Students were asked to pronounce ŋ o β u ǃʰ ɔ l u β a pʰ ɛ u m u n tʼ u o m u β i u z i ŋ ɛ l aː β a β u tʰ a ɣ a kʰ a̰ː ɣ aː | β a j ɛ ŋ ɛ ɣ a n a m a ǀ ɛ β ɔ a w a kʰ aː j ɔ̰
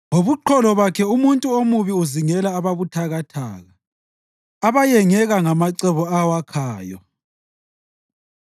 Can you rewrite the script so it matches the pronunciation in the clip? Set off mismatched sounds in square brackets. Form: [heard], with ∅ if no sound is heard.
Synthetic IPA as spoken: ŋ o β u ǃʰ ɔ l [ɔ] β a [kʰ] ɛ u m u n tʼ u o m u β i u z i ŋ ɛ l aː β a β u tʰ a ɣ a [tʰ] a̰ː ɣ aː | β a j ɛ ŋ ɛ ɣ a [ŋ] a m a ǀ ɛ β ɔ a w a kʰ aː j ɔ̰

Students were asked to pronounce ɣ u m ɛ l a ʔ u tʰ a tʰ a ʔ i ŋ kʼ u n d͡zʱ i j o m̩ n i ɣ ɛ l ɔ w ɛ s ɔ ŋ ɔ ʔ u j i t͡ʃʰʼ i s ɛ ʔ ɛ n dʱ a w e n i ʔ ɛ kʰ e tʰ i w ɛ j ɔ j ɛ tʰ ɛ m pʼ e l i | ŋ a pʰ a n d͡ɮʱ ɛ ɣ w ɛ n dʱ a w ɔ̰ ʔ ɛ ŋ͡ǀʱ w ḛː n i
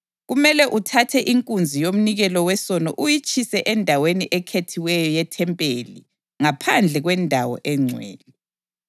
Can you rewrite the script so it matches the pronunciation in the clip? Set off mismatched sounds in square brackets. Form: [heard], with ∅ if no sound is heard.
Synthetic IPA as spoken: ɣ u m ɛ l [ɛ] ʔ u tʰ a tʰ [ɛ] ʔ i ŋ kʼ u n d͡zʱ i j o m̩ n i ɣ ɛ l ɔ w ɛ s ɔ [n] ɔ ʔ u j i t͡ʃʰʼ i s ɛ ʔ ɛ n dʱ a w e n i ʔ ɛ kʰ e tʰ i w ɛ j ɔ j ɛ tʰ ɛ m pʼ e l i | ŋ a pʰ a n d͡ɮʱ ɛ ɣ w ɛ n dʱ a w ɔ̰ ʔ ɛ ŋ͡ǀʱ w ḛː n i

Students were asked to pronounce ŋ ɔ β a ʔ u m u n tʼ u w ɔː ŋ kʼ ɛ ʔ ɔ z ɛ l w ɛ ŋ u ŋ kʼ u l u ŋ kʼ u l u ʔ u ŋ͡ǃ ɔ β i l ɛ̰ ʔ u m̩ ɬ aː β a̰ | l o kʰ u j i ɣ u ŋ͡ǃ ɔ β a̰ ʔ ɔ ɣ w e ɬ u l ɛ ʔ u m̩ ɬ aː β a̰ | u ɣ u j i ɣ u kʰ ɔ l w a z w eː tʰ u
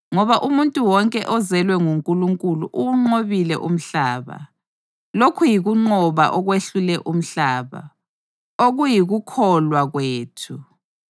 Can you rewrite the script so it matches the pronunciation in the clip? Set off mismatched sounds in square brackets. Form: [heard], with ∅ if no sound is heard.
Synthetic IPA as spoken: ŋ ɔ β a ʔ u m u n tʼ u w [ɔ] ŋ kʼ ɛ ʔ ɔ z ɛ l w ɛ ŋ u ŋ kʼ u l u ŋ kʼ u l u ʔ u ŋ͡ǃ [o] β i l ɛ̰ ʔ u m̩ ɬ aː β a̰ | l o kʰ u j i ɣ u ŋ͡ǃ ɔ β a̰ ʔ ɔ ɣ w e ɬ u l ɛ ʔ u m̩ ɬ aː β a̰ | [o] ɣ u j i ɣ u kʰ ɔ l w a [ɣ] w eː tʰ u

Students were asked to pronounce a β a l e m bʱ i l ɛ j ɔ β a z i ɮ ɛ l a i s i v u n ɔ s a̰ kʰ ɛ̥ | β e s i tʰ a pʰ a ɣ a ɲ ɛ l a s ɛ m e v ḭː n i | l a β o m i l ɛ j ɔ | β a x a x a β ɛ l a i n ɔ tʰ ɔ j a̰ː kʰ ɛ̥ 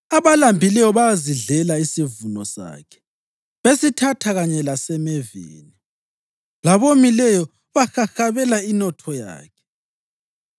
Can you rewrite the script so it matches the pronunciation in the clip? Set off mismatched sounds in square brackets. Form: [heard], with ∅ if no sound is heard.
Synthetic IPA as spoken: a β a l [a] m bʱ i l ɛ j ɔ β a z i ɮ ɛ l a i s i v u n ɔ s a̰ kʰ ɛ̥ | β e s i tʰ a [tʰ] a ɣ a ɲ ɛ l a s ɛ m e v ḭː n i | l a β o m i l ɛ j ɔ | β a x a x a β ɛ l a i n ɔ tʰ ɔ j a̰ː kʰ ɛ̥

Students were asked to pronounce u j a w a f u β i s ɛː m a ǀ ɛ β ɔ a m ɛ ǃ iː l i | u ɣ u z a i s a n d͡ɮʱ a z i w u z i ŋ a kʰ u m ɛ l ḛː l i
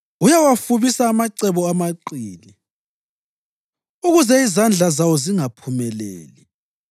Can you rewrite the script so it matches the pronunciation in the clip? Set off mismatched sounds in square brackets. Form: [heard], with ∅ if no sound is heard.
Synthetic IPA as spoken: u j a w a f u β i s [aː] m a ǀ ɛ β ɔ a m [a] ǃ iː l i | u ɣ u z [ɛ] i [z] a n d͡ɮʱ a z [a] w [ɔ] z i ŋ a [pʰ] u m ɛ l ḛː l i

